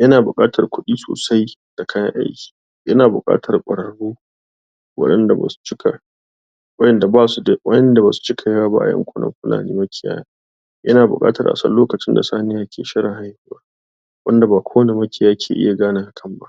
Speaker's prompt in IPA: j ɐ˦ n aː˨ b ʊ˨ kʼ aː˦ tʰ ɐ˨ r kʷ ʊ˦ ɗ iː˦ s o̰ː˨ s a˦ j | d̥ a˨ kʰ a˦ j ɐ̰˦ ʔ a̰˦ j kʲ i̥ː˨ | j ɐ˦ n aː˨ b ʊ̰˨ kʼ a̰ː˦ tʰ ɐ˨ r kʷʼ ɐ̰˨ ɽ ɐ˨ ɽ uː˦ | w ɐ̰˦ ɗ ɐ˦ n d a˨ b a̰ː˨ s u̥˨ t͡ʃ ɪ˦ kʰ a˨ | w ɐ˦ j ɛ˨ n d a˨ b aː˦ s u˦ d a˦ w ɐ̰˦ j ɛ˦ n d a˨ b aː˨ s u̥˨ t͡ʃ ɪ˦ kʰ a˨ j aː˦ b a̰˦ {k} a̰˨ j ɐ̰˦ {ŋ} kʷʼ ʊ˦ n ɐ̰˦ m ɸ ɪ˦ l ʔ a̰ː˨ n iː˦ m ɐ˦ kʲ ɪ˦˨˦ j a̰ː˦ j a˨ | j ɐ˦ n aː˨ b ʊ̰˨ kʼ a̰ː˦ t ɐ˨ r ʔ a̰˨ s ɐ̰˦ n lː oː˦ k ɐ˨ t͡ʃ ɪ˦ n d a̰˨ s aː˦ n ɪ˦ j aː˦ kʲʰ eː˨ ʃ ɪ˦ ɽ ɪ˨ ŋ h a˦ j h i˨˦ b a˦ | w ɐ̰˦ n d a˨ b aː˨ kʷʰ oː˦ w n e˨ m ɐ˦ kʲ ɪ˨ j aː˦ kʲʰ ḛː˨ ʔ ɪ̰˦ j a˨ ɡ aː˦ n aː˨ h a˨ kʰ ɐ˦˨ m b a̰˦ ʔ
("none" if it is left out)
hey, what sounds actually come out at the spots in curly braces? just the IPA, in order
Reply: ʔ, ŋ

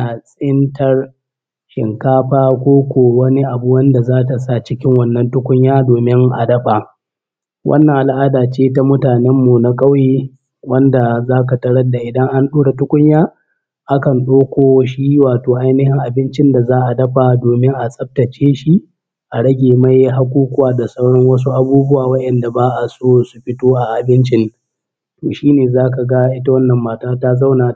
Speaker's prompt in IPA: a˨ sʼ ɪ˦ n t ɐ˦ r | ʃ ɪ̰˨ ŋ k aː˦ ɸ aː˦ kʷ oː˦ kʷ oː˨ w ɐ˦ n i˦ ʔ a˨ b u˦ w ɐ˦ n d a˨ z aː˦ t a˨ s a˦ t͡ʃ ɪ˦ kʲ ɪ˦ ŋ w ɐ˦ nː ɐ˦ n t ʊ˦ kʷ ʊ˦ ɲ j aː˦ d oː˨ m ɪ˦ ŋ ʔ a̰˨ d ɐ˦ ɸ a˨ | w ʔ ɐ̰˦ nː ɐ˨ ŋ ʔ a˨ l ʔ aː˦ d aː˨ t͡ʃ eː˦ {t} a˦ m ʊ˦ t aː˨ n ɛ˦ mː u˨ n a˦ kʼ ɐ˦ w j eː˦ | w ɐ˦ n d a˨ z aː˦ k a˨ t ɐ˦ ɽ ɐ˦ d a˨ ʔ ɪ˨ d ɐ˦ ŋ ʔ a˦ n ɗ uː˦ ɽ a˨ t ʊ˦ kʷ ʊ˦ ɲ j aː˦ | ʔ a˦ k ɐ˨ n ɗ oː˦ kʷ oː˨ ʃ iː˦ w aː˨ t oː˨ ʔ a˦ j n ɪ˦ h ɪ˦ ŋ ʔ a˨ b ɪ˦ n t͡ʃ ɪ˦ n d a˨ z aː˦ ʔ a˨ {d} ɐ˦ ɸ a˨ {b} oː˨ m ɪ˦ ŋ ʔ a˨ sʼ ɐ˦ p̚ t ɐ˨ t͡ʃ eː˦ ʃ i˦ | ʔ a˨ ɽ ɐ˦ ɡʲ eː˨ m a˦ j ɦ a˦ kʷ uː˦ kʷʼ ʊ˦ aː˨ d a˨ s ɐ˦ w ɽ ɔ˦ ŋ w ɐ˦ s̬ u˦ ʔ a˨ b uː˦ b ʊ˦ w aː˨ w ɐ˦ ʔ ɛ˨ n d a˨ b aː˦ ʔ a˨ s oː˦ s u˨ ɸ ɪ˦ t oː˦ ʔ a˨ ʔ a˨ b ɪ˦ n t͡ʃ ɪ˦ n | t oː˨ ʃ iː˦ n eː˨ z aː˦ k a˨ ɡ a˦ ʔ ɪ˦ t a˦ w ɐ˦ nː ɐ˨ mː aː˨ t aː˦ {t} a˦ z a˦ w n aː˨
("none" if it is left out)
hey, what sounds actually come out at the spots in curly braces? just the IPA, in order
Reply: t, d, d, t

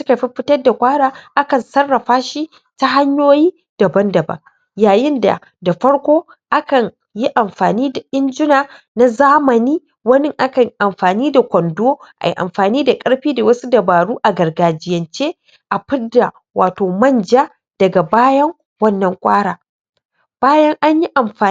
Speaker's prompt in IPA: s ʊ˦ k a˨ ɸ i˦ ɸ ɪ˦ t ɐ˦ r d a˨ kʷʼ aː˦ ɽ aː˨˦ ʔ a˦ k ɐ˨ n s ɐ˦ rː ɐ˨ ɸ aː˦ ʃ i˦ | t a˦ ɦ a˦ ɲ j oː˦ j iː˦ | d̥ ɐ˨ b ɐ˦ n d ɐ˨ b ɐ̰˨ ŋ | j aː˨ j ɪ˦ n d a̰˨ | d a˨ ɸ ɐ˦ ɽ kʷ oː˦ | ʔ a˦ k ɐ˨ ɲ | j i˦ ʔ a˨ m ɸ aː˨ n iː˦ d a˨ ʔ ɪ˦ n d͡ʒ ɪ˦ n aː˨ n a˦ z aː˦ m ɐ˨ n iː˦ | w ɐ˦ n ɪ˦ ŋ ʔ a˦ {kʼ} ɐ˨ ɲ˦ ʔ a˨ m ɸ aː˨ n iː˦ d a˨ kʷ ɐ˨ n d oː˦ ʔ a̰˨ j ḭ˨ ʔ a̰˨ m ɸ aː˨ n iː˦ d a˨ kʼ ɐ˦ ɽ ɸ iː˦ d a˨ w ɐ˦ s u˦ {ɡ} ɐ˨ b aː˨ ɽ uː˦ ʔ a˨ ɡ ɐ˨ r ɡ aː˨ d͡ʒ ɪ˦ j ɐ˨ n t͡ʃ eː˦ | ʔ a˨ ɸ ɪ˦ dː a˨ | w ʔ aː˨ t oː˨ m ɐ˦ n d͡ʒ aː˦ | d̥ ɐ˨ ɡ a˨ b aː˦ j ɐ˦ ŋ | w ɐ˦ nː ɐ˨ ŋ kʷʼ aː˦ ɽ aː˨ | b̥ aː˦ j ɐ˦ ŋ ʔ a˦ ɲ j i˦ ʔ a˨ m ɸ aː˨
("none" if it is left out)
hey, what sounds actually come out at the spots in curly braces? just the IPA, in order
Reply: k, d

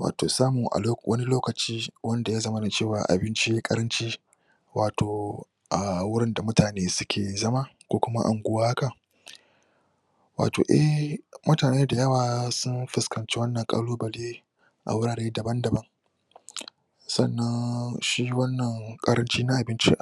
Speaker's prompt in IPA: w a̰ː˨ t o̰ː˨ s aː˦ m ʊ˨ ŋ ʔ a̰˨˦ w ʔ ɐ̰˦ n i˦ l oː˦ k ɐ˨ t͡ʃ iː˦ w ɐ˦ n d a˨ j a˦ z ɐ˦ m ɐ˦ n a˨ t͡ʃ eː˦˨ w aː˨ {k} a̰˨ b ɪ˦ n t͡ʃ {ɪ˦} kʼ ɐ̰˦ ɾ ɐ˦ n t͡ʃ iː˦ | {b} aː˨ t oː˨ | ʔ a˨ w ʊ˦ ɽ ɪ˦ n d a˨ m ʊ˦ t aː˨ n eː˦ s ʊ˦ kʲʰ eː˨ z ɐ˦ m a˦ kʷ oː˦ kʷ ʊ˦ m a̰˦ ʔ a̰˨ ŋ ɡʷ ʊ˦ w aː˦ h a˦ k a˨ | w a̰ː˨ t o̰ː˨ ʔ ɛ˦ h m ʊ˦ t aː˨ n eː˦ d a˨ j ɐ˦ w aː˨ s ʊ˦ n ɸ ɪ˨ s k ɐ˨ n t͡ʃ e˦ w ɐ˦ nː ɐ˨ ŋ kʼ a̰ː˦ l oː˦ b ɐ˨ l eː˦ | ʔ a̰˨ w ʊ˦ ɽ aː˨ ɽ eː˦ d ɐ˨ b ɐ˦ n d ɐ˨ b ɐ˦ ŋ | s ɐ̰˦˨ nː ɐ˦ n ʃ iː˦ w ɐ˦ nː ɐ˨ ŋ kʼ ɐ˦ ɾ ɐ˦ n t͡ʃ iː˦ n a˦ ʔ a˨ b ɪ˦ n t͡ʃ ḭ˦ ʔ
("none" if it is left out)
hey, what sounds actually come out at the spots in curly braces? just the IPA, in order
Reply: ʔ, i˦, w

